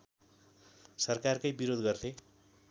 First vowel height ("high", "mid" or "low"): mid